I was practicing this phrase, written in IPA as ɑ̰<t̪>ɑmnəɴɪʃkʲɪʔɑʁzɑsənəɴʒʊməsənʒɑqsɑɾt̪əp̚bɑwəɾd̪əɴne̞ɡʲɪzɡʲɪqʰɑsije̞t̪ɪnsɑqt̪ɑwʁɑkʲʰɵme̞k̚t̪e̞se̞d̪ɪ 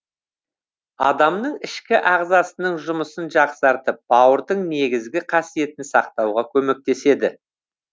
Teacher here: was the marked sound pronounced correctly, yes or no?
no